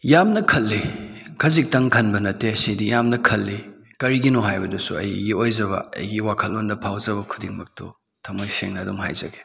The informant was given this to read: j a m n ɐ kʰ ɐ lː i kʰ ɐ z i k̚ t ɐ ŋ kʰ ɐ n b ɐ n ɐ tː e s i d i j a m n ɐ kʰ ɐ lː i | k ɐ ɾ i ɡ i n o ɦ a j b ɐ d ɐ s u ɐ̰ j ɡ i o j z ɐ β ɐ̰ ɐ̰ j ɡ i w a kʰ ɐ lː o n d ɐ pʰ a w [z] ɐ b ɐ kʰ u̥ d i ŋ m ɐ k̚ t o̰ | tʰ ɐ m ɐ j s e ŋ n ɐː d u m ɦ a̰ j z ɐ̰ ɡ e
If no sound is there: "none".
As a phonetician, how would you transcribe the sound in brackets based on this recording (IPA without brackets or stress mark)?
z